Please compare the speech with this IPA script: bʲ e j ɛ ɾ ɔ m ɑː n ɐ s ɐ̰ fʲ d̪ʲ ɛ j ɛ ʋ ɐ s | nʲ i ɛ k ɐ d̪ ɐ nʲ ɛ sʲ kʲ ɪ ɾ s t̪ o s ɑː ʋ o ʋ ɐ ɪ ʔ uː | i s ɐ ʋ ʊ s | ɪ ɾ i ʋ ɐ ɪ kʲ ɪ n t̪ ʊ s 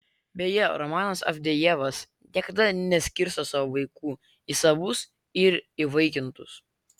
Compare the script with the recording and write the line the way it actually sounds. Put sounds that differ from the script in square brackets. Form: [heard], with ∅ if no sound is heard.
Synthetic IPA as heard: bʲ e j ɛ ɾ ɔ m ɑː n ɐ s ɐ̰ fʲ d̪ʲ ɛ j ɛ ʋ ɐ s | nʲ i ɛ k ɐ d̪ ɐ nʲ ɛ sʲ kʲ ɪ ɾ s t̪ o s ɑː ʋ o ʋ ɐ ɪ [k] uː | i s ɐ ʋ ʊ s | ɪ ɾ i ʋ ɐ ɪ kʲ ɪ n t̪ ʊ s